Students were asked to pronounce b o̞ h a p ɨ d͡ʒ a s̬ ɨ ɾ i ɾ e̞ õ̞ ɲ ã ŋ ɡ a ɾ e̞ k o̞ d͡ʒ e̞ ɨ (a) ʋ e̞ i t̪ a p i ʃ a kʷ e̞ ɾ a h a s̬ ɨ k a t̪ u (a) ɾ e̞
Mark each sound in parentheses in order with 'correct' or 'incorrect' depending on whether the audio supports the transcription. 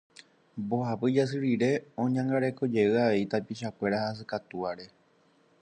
correct, correct

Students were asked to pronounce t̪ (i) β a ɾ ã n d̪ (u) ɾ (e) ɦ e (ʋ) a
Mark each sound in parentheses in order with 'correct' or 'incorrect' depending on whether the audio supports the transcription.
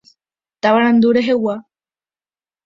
incorrect: a, correct, correct, incorrect: w

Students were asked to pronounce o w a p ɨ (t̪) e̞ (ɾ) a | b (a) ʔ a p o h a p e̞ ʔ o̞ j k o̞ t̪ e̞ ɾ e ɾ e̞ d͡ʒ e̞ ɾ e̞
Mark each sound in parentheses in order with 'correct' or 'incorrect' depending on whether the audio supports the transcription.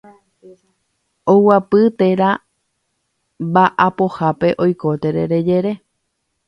correct, correct, correct

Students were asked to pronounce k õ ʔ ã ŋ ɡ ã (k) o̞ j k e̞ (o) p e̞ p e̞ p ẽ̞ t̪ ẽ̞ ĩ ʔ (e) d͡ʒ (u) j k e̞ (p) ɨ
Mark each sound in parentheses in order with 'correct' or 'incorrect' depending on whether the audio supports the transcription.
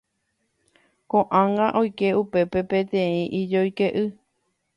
incorrect: ʔ, incorrect: u, incorrect: i, incorrect: o, incorrect: ʔ

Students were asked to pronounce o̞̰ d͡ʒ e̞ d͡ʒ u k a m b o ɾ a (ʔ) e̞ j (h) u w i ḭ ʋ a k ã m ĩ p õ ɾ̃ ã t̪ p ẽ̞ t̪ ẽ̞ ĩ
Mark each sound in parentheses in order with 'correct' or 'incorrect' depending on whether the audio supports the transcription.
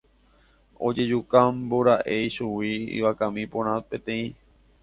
correct, incorrect: ʃ

